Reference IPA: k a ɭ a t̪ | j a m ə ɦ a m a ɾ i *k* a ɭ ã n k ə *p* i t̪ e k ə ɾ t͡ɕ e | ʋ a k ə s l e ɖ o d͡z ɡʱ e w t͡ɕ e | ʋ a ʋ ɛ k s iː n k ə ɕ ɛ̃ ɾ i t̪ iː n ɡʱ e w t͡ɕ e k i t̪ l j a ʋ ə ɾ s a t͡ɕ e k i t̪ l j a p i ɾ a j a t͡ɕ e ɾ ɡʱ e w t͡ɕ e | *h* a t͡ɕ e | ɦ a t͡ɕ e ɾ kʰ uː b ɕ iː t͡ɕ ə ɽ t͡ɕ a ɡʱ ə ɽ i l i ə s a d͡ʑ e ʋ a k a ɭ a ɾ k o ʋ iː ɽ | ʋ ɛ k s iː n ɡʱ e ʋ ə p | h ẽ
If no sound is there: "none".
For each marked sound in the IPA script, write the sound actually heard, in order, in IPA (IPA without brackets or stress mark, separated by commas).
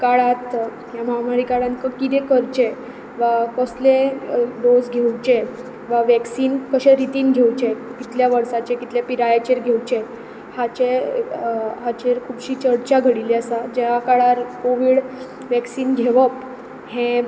k, k, h